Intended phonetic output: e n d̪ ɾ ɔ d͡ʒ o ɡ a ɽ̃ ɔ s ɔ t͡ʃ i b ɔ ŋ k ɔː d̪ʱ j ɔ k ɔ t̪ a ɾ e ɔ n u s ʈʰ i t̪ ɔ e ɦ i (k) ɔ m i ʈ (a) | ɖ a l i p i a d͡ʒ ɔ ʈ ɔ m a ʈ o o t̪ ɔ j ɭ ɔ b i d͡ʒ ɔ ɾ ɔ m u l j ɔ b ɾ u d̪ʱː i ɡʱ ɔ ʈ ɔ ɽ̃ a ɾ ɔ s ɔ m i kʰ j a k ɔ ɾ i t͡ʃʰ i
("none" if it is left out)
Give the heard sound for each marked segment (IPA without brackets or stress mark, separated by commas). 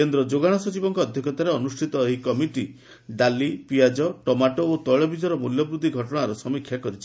k, i